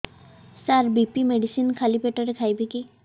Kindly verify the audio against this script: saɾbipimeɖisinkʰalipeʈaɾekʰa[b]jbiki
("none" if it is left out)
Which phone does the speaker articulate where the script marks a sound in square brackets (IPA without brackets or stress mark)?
none